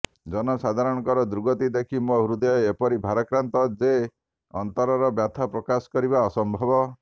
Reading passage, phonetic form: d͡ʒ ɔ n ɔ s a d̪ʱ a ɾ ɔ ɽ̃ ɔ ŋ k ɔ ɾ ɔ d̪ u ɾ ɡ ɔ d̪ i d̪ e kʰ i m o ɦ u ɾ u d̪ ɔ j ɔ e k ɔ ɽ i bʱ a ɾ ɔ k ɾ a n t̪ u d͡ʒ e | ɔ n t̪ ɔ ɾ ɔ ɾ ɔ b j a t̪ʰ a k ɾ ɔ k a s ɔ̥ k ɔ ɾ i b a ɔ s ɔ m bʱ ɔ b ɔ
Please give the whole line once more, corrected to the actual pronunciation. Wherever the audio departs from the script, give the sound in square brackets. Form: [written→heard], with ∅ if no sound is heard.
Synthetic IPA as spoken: d͡ʒ ɔ n ɔ s a d̪ʱ a ɾ ɔ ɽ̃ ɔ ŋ k ɔ ɾ ɔ d̪ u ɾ ɡ ɔ [d̪→t̪] i d̪ e kʰ i m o ɦ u ɾ u d̪ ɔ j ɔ e [k→p] ɔ [ɽ→ɾ] i bʱ a ɾ ɔ k ɾ a n t̪ [u→ɔ] d͡ʒ e | ɔ n t̪ ɔ ɾ ɔ ɾ ɔ b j a t̪ʰ a [k→p] ɾ ɔ k a s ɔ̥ k ɔ ɾ i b a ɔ s ɔ m bʱ ɔ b ɔ